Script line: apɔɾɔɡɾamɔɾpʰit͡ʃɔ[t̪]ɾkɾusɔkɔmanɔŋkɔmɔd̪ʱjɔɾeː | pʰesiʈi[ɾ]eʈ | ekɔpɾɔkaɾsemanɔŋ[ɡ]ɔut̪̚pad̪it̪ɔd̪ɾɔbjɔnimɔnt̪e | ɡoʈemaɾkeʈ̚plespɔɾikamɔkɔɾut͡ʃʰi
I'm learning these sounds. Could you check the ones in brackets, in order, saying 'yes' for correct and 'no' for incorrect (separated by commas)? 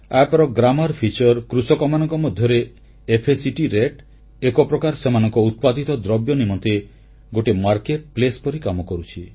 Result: no, yes, no